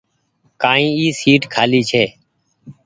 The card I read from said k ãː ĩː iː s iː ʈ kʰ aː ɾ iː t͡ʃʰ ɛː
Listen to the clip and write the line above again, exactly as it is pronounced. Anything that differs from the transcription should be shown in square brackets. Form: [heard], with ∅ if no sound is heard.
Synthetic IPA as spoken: k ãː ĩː iː s iː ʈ kʰ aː [l] iː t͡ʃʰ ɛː